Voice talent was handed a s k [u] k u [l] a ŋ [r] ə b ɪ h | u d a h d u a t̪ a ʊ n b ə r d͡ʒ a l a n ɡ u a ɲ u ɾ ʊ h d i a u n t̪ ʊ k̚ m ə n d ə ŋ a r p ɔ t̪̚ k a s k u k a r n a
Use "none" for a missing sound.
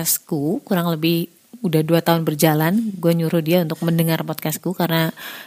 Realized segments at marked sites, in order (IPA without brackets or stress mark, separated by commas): u, ɾ, l